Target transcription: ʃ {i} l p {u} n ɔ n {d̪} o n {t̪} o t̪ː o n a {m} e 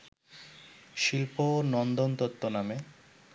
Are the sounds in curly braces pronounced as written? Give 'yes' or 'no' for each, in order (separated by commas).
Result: yes, no, yes, yes, yes